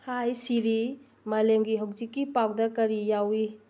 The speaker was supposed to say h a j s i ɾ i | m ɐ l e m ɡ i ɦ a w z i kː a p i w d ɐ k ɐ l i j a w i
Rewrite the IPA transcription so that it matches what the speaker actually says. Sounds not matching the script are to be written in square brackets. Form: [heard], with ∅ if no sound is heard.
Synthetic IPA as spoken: h a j s i ɾ i | m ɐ l e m ɡ i ɦ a w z i kː [i] p [a] w d ɐ k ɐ [ɾ] i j a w i

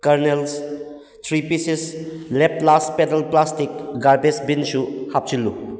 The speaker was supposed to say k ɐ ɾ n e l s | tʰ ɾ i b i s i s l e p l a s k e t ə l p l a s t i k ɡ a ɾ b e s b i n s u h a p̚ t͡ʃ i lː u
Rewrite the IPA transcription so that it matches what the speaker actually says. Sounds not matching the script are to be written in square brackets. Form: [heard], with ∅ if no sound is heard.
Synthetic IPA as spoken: k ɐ ɾ n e l s | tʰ ɾ i [p] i s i s l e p l a s [p] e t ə l p l a s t i k ɡ a ɾ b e s b i n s u h a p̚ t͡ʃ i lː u

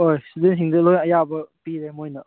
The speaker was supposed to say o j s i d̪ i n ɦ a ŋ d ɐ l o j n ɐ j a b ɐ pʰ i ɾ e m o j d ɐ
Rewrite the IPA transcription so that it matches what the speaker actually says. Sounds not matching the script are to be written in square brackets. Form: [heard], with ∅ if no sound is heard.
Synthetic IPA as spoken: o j s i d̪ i n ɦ [i] ŋ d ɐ l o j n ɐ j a b ɐ [p] i ɾ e m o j [n] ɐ

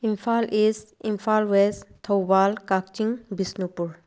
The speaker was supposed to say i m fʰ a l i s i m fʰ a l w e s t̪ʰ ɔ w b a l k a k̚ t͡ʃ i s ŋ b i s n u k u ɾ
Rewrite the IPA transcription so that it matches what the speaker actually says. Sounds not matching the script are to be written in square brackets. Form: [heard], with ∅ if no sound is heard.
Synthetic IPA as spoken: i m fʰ a l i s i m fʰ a l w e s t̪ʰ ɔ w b a l k a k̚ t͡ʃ i [∅] ŋ b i s n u [p] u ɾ

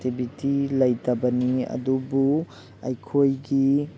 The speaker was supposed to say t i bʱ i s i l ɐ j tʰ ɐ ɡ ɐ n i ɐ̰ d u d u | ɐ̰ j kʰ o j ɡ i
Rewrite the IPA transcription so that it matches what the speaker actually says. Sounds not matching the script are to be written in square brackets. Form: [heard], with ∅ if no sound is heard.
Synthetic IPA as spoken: t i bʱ i [t] i l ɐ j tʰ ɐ [b] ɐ n i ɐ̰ d u [b] u | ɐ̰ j kʰ o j ɡ i

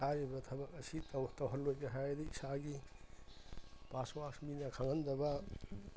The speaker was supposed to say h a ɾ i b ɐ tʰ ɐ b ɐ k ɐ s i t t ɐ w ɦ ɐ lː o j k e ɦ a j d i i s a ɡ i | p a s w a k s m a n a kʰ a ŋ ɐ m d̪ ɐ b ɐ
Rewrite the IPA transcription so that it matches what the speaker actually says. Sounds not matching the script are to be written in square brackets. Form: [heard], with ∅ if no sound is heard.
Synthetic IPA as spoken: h a ɾ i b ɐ tʰ ɐ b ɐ k ɐ s i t t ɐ w ɦ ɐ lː o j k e ɦ a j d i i s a ɡ i | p a s w a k s m [i] n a kʰ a ŋ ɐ [n] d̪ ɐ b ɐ

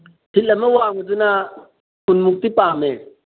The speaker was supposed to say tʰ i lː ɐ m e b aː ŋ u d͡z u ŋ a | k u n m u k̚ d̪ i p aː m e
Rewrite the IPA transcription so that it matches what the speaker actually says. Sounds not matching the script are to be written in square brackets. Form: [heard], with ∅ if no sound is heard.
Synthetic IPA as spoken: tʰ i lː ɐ m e [w] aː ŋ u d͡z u [n] a | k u n m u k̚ [t̪] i p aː m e

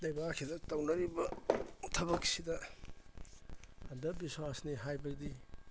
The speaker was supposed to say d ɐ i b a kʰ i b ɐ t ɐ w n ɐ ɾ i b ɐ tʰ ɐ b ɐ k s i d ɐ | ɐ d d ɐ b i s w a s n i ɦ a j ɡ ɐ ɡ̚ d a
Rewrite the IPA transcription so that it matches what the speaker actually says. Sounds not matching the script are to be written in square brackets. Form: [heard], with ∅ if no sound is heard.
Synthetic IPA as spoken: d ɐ [j] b a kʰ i [d] ɐ t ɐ w n ɐ ɾ i b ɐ tʰ ɐ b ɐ k s i d ɐ | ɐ [n] d ɐ b i s w a s n i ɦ a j [b] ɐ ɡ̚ d [i]

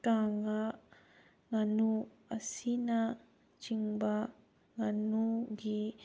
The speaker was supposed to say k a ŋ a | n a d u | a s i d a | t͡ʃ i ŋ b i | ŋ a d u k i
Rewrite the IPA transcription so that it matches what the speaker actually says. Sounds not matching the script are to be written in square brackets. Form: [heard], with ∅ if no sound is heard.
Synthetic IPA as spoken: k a ŋ a | [ŋ] a [n] u | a s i [n] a | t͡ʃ i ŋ b [a] | ŋ a [n] u [ɡ] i

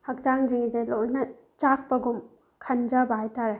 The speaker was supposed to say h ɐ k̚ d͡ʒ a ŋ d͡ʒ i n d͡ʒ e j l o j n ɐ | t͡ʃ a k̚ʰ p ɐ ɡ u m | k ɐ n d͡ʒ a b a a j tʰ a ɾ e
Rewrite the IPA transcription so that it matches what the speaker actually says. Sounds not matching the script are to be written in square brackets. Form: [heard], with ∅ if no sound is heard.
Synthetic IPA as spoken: h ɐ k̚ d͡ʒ a ŋ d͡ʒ i [ŋ] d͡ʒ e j l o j n ɐ | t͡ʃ a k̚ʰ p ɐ ɡ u m | [kʰ] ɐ n d͡ʒ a b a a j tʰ a ɾ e

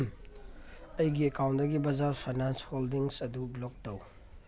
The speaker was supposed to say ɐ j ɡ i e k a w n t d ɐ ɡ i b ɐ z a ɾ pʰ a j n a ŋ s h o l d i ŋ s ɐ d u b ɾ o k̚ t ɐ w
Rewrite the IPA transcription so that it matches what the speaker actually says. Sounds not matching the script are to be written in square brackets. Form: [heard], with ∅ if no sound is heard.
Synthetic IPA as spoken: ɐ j ɡ i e k a w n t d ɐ ɡ i b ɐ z a ɾ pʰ a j n a [n] s h o l d i ŋ s ɐ d u b [l] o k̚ t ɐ w

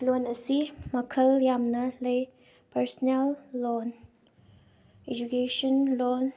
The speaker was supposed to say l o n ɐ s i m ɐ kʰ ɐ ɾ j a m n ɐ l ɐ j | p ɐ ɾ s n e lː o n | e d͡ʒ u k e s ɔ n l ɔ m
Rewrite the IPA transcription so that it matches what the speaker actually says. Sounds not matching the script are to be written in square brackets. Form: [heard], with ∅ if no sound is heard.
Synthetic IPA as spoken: l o n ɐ s i m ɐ kʰ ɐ [l] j a m n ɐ l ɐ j | p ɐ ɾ s n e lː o n | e d͡ʒ u k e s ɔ n l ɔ [n]

